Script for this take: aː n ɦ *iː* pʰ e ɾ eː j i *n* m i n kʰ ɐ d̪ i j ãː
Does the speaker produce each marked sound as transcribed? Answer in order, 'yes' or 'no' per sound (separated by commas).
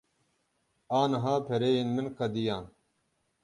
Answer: no, yes